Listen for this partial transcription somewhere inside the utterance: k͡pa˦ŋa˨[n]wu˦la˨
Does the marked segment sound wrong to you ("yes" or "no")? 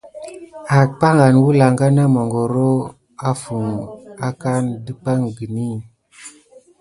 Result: no